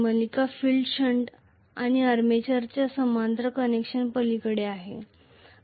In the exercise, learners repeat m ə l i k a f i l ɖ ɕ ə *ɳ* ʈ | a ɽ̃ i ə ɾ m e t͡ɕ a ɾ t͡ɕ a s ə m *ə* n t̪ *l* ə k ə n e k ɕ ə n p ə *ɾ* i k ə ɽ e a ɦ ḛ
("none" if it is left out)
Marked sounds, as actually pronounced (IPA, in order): ɳ, a, ɾ, l

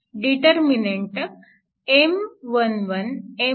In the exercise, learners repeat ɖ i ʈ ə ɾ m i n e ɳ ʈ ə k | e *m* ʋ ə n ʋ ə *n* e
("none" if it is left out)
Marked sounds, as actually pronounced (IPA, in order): m, n

